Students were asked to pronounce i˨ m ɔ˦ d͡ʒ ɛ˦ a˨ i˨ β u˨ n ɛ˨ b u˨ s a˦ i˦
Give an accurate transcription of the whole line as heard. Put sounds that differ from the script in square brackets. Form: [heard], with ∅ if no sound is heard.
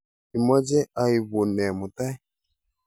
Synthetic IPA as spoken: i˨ m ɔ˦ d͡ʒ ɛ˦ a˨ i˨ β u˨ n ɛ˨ [m] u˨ [t] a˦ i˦